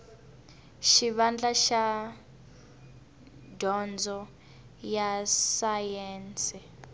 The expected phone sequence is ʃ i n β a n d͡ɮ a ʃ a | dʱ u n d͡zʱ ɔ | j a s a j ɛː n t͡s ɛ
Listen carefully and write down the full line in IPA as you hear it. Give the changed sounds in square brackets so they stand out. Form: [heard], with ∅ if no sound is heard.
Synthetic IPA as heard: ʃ i [∅] β a n d͡ɮ a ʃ a | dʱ [ɔ] n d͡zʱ ɔ | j a s a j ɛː n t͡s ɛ